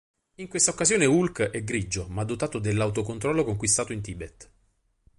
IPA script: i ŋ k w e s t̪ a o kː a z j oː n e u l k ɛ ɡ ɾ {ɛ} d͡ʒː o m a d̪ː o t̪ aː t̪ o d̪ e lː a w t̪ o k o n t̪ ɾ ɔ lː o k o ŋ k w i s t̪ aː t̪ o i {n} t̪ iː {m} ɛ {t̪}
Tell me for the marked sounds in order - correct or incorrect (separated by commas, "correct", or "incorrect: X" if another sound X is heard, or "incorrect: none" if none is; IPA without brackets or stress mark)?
incorrect: i, correct, incorrect: b, correct